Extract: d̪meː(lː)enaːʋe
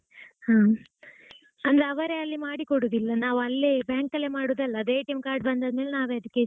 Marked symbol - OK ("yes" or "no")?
no